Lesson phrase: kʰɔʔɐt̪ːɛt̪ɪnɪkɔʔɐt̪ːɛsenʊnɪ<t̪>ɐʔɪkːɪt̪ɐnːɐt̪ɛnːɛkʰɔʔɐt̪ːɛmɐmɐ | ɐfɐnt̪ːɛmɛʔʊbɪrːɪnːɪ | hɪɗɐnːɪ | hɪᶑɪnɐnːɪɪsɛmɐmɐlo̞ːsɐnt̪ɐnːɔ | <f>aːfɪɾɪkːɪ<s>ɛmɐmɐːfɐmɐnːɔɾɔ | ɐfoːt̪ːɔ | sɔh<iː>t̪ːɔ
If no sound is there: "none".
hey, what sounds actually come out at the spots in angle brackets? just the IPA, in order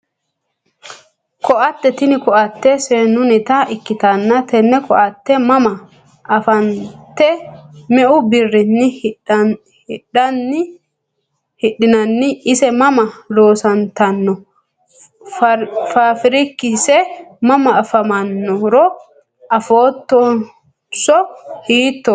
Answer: t̪, f, s, iː

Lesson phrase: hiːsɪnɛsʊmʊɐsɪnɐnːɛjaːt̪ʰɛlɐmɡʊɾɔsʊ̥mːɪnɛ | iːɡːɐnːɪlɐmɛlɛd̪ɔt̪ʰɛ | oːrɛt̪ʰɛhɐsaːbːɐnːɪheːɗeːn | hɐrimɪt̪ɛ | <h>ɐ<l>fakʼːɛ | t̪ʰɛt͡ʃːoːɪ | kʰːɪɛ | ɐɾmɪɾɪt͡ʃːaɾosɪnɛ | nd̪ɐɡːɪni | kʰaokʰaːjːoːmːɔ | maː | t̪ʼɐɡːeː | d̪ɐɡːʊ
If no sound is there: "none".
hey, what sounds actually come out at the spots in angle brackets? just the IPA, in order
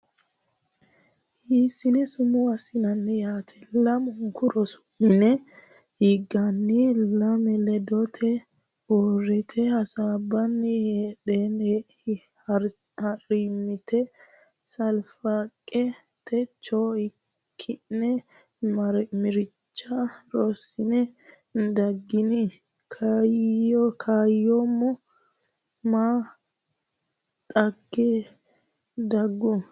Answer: s, l

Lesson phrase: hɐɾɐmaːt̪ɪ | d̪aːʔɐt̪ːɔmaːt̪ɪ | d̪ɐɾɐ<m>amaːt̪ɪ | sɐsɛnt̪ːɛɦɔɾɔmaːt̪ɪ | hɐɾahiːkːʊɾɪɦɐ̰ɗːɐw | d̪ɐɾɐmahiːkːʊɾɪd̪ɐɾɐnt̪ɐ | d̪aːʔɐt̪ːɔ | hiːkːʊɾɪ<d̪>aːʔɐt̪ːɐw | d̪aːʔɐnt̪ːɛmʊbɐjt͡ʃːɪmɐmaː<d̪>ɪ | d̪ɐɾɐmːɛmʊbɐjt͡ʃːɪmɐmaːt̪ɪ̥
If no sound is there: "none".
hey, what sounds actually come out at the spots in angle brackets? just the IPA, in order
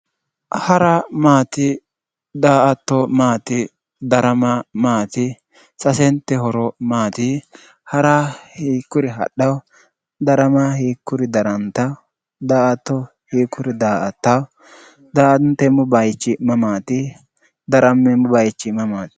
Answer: m, d̪, t̪

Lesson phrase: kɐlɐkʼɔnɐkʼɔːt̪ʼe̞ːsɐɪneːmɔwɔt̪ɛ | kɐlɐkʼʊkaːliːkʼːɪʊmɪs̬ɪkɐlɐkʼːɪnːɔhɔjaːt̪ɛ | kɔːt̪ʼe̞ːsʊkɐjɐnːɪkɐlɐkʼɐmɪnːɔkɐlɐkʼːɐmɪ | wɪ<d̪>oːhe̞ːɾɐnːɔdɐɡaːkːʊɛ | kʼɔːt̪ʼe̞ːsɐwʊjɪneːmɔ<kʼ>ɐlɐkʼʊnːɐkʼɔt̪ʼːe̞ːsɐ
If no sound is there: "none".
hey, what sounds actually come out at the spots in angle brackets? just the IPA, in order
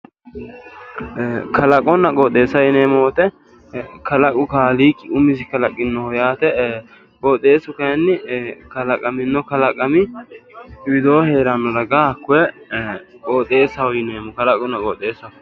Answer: d̪, k

